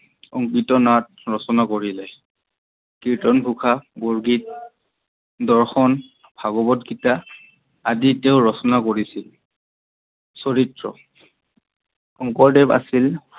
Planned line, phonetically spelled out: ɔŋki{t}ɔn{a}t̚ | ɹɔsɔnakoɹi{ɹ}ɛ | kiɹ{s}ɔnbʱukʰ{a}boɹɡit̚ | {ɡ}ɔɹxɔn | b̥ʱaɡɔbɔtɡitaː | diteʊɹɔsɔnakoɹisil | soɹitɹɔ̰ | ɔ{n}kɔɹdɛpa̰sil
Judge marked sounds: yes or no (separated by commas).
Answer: yes, yes, no, no, yes, no, no